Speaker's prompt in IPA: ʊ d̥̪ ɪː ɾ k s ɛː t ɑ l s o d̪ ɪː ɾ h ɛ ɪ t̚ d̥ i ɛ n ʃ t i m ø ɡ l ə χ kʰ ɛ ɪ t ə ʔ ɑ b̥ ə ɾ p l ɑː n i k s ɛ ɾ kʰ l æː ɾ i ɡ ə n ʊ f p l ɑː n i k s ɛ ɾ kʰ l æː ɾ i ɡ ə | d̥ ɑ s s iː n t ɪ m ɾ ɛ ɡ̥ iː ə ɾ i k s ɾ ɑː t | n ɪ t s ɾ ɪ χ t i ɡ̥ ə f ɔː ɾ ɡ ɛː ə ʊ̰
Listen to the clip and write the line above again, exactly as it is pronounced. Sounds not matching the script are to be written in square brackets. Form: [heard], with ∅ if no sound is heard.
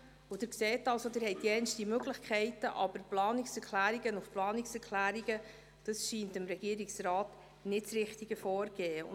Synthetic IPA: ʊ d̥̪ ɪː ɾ k s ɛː t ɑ l s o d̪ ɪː ɾ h ɛ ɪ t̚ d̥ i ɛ n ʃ t i m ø ɡ l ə χ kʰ ɛ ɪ t ə ʔ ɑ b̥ ə ɾ p l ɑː n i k s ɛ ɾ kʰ l æː ɾ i ɡ ə n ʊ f p l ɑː n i k s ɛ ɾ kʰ l æː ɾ i ɡ ə | d̥ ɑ s [ʃ] iː n t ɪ m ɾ ɛ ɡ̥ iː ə ɾ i k s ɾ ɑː t | n ɪ t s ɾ ɪ χ t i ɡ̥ ə f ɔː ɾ ɡ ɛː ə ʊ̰